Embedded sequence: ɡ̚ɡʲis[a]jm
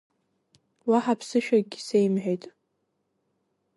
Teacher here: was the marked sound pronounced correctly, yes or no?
no